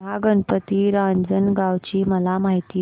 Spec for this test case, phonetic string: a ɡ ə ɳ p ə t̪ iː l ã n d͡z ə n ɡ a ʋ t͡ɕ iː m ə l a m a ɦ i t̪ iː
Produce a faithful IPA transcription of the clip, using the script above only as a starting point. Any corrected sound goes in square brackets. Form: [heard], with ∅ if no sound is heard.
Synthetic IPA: a ɡ ə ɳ p ə t̪ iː [ɾ] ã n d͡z ə n ɡ a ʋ t͡ɕ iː m ə l a m a ɦ i t̪ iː